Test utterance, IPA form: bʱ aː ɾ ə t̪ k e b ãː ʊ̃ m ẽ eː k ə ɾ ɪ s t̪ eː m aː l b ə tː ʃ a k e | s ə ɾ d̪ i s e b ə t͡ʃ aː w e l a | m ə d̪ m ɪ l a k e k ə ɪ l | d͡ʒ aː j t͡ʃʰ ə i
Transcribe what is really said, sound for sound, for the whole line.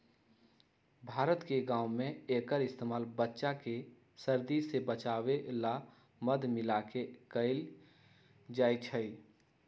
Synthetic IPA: bʱ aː ɾ ə t̪ k e ɡ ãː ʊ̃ m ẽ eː k ə ɾ ɪ s t̪ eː m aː l b ə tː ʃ a k e | s ə ɾ d̪ i s e b ə t͡ʃ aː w e l a | m ə d̪ m ɪ l a k e k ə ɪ l | d͡ʒ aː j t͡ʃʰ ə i

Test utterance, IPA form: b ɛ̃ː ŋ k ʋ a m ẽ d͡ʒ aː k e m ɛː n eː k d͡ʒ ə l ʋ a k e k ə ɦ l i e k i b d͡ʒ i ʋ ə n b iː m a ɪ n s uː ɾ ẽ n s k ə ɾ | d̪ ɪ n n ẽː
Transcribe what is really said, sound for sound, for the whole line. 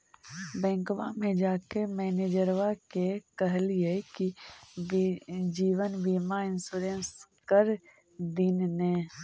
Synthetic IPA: b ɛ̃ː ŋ k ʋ a m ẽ d͡ʒ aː k e m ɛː n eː d͡ʒ ə ɾ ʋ a k e k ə ɦ l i e k i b d͡ʒ iː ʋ ə n b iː m a ɪ n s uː ɾ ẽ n s k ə ɾ | d̪ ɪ n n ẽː

